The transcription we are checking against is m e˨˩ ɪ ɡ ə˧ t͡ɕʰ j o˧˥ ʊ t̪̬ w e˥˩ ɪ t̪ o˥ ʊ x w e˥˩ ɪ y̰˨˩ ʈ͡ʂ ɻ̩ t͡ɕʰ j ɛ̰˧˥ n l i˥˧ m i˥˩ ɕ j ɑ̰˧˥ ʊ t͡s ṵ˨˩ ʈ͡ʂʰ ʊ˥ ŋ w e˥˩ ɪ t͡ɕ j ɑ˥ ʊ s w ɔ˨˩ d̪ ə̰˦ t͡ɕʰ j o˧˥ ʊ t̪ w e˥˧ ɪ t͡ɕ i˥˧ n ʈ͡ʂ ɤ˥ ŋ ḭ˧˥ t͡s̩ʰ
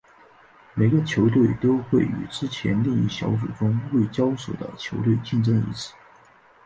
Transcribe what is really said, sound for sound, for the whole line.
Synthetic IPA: m e˨˩ ɪ ɡ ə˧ t͡ɕʰ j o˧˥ ʊ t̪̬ w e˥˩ ɪ t̪ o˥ ʊ x w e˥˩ ɪ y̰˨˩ ʈ͡ʂ ɻ̩ t͡ɕʰ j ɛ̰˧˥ n l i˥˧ ŋ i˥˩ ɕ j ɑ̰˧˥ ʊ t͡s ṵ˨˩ ʈ͡ʂ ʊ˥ ŋ w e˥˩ ɪ t͡ɕ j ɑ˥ ʊ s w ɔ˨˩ d̪ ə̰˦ t͡ɕʰ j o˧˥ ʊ t̪ w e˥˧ ɪ t͡ɕ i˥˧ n ʈ͡ʂ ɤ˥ ŋ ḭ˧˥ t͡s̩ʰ